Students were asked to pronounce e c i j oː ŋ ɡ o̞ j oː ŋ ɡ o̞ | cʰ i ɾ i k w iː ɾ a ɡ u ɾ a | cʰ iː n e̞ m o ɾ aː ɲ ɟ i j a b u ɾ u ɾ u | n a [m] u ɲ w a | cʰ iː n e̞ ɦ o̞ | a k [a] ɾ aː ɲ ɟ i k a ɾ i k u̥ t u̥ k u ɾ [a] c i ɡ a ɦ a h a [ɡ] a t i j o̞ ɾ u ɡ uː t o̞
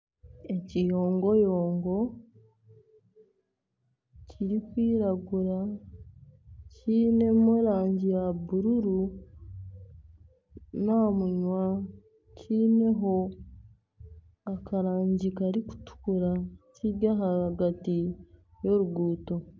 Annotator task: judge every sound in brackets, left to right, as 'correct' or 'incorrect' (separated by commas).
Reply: correct, correct, correct, correct